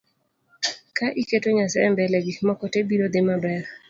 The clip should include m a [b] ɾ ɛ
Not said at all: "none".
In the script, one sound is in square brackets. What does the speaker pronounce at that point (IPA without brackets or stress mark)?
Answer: b